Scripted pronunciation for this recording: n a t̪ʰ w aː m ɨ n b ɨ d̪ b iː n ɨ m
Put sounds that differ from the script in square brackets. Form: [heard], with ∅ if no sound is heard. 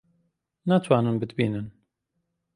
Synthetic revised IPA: n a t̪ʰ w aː [n] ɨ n b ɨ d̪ b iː n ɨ [n]